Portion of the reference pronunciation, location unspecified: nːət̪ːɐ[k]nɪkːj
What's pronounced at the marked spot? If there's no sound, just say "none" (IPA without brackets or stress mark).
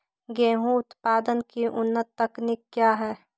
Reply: k